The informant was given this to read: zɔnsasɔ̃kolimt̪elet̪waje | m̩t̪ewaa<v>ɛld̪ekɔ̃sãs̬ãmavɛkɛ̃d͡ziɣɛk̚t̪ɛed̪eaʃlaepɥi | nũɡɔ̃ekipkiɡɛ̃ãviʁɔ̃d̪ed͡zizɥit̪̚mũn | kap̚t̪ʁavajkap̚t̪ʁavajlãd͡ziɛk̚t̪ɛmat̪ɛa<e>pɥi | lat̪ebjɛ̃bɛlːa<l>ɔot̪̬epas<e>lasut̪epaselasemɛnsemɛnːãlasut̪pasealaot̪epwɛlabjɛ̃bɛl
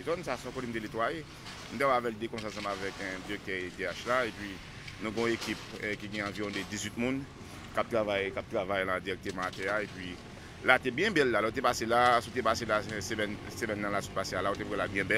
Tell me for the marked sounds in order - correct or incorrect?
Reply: correct, correct, correct, correct

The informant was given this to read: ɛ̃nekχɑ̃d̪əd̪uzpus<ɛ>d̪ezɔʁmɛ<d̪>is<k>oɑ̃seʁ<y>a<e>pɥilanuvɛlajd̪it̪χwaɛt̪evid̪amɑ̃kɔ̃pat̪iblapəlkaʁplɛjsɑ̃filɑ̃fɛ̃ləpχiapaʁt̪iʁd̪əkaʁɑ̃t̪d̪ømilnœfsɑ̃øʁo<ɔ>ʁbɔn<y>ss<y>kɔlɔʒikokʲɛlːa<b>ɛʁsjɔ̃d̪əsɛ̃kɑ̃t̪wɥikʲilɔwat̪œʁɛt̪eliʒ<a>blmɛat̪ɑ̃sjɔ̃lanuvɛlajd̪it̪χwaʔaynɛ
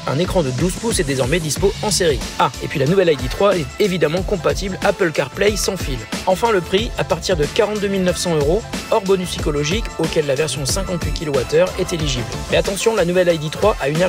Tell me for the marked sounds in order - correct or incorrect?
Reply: correct, correct, incorrect, incorrect, correct, correct, correct, incorrect, incorrect, incorrect

